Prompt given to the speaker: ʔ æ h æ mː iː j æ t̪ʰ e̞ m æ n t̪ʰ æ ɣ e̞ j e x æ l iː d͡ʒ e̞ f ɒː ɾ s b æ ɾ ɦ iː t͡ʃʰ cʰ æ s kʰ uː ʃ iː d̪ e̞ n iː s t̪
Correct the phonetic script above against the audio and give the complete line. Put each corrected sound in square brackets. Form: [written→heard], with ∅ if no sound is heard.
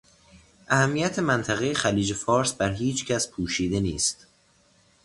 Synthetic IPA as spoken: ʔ æ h æ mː [iː→i] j æ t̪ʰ e̞ m æ n t̪ʰ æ ɣ e̞ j e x æ l iː d͡ʒ e̞ f ɒː ɾ s b æ ɾ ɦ iː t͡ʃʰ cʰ æ s [kʰ→pʰ] uː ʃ iː d̪ e̞ n iː s t̪